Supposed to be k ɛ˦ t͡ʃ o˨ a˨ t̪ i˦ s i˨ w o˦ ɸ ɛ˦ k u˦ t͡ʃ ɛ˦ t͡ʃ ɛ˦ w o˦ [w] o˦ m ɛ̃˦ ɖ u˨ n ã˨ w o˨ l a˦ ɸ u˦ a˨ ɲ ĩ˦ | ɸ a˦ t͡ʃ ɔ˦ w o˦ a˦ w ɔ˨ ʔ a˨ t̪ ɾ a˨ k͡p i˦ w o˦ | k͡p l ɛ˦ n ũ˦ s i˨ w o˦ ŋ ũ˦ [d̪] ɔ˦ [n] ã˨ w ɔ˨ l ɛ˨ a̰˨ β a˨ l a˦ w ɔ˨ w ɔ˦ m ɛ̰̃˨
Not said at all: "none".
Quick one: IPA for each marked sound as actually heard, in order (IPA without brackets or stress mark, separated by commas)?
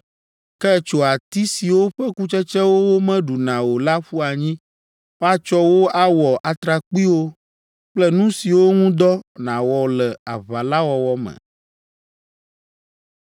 w, d̪, n